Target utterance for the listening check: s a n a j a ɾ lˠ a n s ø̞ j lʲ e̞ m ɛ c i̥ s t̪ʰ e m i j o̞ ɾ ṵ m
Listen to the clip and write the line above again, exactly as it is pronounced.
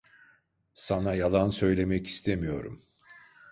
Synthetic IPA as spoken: s a n a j a lˠ a n s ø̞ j lʲ e̞ m ɛ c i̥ s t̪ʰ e m i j o̞ ɾ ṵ m